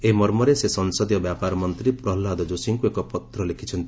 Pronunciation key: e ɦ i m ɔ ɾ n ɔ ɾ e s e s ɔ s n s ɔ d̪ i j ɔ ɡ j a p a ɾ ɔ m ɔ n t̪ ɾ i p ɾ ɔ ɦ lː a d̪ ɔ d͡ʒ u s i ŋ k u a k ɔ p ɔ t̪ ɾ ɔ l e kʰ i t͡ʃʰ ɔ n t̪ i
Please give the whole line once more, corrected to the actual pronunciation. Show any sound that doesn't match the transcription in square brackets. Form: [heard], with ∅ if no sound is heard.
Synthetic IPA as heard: e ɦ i m ɔ ɾ [m] ɔ ɾ e s e s ɔ [∅] n s ɔ d̪ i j ɔ [b] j a p a ɾ ɔ m ɔ n t̪ ɾ i p ɾ ɔ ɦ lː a d̪ ɔ d͡ʒ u s i ŋ k u [e] k ɔ p ɔ t̪ ɾ ɔ l e kʰ i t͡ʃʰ ɔ n t̪ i

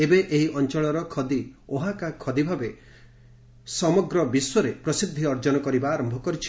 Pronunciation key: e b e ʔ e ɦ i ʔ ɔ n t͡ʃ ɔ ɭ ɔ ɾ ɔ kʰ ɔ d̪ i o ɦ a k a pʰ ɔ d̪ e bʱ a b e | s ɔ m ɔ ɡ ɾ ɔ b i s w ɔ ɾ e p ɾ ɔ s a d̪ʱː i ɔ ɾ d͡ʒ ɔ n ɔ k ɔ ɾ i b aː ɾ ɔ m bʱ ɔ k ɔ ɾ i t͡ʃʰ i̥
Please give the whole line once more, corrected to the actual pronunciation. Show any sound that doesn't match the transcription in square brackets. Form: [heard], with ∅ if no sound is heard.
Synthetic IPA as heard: e b e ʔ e ɦ i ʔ ɔ n t͡ʃ ɔ ɭ ɔ ɾ ɔ kʰ ɔ d̪ i o ɦ a k a [kʰ] ɔ d̪ [i] bʱ a b e | s ɔ m ɔ ɡ ɾ ɔ b i s w ɔ ɾ e p ɾ ɔ s [i] d̪ʱː i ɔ ɾ d͡ʒ ɔ n ɔ k ɔ ɾ i b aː ɾ ɔ m bʱ ɔ k ɔ ɾ i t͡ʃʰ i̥

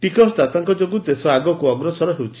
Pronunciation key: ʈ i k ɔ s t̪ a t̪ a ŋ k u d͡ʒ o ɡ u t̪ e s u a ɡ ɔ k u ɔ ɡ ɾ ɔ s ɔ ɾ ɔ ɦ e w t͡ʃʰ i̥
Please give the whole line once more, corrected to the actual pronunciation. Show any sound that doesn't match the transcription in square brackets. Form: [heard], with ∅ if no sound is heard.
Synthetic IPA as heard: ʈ i k ɔ s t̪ a t̪ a ŋ k [ɔ] d͡ʒ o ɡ u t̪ e s [ɔ] a ɡ ɔ k u ɔ ɡ ɾ ɔ s ɔ ɾ ɔ ɦ e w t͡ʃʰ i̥

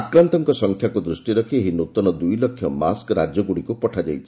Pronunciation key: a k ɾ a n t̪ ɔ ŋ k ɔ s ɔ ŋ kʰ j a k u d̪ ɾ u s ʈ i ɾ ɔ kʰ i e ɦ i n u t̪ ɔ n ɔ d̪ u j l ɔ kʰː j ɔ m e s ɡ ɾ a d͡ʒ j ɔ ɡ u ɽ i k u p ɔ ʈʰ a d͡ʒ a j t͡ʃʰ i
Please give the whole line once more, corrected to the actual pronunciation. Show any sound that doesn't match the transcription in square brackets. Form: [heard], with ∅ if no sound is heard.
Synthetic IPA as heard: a k ɾ a n t̪ ɔ ŋ k ɔ s ɔ ŋ kʰ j a k u d̪ ɾ u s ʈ i ɾ ɔ kʰ i e ɦ i n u t̪ ɔ n ɔ d̪ u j l ɔ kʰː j ɔ m [a] s [k] ɾ a d͡ʒ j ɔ ɡ u ɽ i k u p ɔ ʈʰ a d͡ʒ a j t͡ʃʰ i

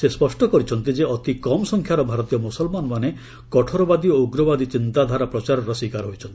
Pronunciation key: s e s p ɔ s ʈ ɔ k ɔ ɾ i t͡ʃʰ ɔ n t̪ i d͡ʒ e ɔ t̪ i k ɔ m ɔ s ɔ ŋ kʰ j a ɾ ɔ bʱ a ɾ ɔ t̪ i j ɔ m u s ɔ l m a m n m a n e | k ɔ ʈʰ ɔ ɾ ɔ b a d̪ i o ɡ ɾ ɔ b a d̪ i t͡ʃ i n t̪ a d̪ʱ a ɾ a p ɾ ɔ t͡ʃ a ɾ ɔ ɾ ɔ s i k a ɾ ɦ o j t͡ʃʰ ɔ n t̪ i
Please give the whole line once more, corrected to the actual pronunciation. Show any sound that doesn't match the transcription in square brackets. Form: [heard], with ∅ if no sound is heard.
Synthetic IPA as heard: s e s p ɔ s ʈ ɔ k ɔ ɾ i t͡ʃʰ ɔ n t̪ i d͡ʒ e ɔ t̪ i k ɔ m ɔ s ɔ ŋ kʰ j a ɾ ɔ bʱ a ɾ ɔ t̪ i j ɔ m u s ɔ l m a [∅] n m a n e | k ɔ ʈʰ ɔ ɾ ɔ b a d̪ i o ɡ ɾ ɔ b a d̪ i t͡ʃ i n t̪ a d̪ʱ a ɾ a p ɾ ɔ t͡ʃ a ɾ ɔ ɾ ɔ s i k a ɾ ɦ o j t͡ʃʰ ɔ n t̪ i

